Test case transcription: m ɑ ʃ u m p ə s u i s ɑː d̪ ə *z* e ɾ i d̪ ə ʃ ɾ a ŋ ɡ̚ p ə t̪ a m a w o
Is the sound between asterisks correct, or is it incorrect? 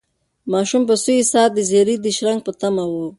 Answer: correct